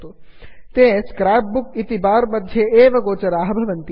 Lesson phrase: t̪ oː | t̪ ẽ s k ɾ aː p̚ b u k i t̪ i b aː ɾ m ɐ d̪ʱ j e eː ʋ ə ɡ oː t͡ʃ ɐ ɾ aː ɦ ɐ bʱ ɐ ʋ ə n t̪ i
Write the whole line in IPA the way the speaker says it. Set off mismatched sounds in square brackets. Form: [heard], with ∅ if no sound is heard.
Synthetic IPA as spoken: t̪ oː | t̪ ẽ s k ɾ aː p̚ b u k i t̪ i b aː ɾ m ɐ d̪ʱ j e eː ʋ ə ɡ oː t͡ʃ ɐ ɾ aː ɦ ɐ bʱ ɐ ʋ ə n t̪ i